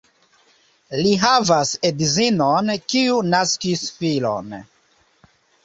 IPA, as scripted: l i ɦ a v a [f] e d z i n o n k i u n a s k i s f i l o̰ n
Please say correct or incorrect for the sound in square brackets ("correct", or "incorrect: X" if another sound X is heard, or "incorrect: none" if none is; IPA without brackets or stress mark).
incorrect: s